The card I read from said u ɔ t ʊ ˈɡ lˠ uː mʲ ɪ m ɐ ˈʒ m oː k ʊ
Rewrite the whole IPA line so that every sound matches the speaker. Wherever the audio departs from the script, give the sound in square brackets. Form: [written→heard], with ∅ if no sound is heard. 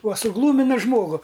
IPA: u ɔ [t→s] ʊ ˈɡ lˠ uː mʲ ɪ [m→n] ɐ ˈʒ m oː [k→ɡ] ʊ